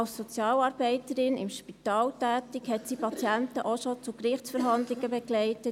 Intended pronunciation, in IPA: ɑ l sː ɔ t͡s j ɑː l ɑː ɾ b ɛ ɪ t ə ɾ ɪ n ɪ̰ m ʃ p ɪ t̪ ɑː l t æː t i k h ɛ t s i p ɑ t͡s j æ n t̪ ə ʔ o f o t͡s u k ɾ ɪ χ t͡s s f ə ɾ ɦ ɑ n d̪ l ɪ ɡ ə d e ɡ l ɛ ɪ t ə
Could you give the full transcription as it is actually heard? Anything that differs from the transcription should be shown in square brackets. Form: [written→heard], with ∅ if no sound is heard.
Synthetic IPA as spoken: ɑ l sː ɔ t͡s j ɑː l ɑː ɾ b ɛ ɪ t ə ɾ ɪ n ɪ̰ m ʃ p [ɪ→i] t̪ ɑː l t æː t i k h ɛ t s i p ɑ t͡s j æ n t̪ ə ʔ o [f→ʃ] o t͡s u k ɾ ɪ χ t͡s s f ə ɾ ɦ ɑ n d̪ l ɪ ɡ ə [d→b] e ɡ l ɛ ɪ t ə